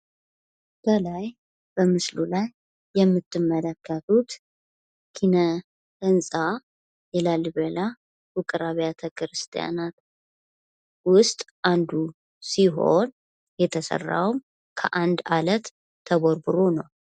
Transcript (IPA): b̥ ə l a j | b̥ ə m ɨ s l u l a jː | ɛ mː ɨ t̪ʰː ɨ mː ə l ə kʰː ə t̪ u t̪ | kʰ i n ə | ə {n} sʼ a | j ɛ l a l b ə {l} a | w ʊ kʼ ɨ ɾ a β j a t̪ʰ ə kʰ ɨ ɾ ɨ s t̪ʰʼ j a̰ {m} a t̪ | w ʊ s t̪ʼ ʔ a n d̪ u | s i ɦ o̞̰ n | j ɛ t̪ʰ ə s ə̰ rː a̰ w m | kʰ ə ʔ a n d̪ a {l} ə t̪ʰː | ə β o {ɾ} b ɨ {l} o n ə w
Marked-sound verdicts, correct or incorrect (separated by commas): correct, correct, incorrect, correct, correct, incorrect